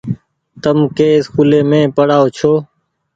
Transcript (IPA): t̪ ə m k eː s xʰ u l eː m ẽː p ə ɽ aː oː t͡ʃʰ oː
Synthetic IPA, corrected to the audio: t̪ ə m k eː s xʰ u l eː m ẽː p ə ɽ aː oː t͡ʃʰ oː